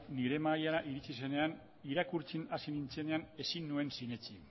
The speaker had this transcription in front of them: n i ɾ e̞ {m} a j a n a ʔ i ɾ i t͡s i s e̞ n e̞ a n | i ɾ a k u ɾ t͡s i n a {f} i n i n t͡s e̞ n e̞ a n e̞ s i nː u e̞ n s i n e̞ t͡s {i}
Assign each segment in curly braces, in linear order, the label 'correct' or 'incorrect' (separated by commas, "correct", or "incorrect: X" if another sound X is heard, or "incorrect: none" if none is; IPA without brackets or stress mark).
correct, incorrect: s, correct